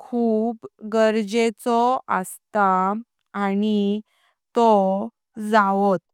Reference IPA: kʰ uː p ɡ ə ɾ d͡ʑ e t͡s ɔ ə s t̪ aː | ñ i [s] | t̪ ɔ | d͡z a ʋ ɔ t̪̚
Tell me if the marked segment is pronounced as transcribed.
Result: no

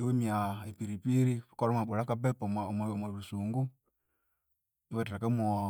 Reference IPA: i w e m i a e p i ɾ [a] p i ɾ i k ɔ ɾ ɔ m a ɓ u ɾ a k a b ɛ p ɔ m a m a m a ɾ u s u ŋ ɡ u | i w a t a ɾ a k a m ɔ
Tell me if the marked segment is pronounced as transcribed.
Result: no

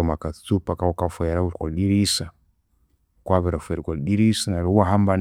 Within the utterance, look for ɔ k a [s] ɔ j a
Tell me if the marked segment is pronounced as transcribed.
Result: no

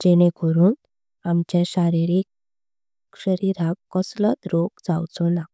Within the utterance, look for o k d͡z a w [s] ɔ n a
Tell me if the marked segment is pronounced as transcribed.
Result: no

